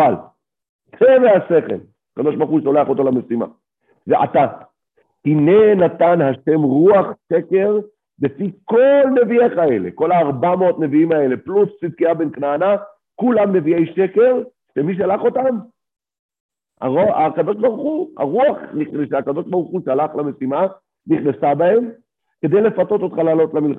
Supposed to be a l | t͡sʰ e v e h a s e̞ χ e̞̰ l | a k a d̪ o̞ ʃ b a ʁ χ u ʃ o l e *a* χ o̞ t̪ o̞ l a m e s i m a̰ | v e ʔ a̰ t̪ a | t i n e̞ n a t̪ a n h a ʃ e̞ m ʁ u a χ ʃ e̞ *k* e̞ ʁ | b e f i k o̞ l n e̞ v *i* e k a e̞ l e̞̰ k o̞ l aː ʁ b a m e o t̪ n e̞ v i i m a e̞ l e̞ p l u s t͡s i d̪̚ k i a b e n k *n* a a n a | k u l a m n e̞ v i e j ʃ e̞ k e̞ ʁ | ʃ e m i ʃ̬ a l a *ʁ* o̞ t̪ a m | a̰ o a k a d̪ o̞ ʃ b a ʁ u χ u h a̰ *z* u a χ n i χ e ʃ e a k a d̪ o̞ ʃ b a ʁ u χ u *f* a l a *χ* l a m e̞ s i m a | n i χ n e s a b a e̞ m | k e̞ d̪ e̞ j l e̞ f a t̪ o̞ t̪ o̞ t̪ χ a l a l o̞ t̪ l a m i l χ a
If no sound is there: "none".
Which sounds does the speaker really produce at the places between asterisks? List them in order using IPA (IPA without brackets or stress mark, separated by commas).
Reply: a, k, i, n, χ, ʁ, ʃ, χ